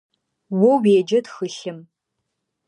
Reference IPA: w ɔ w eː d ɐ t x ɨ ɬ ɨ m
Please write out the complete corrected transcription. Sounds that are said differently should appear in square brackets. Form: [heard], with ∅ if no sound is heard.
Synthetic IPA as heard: w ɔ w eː [d͡ʒ] ɐ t x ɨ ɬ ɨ m